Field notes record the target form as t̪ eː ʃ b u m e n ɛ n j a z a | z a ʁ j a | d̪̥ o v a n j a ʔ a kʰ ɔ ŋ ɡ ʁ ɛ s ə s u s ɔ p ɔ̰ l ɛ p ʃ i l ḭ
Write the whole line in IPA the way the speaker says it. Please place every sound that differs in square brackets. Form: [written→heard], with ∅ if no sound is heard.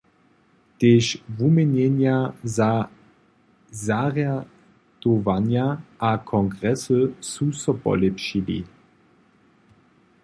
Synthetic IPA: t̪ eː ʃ [b→v] u m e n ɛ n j a z a | z a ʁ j a | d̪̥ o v a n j a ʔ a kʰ ɔ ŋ ɡ ʁ ɛ s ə s u s ɔ p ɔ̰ l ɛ p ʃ i l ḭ